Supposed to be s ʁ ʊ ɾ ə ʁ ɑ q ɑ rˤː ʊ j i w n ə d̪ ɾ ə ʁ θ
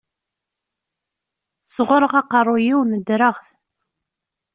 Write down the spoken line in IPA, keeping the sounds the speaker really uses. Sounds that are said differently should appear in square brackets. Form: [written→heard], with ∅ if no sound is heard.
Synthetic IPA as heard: s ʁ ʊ ɾ ə ʁ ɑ q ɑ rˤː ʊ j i w n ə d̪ ɾ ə ʁ θ